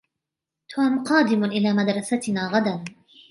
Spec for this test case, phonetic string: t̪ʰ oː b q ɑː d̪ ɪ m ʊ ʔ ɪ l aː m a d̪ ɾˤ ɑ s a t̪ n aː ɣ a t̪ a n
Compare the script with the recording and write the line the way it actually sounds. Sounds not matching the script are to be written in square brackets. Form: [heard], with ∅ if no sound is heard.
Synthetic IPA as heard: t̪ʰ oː [m] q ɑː d̪ ɪ m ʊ ʔ ɪ l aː m a d̪ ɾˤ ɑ s a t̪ n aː ɣ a [d̪] a n